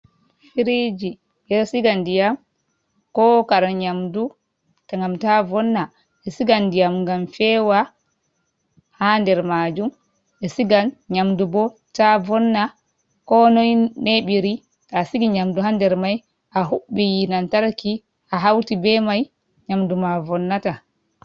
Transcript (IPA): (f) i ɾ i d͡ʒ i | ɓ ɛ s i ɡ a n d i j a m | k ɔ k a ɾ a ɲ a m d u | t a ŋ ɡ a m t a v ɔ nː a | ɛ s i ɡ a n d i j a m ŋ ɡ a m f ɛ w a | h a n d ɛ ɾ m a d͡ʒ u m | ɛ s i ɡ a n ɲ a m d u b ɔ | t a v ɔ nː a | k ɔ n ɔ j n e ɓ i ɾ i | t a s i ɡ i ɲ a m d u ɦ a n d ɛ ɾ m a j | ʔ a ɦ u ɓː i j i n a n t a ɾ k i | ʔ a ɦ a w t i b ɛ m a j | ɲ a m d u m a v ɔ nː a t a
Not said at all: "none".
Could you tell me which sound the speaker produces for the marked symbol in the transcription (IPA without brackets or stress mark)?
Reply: f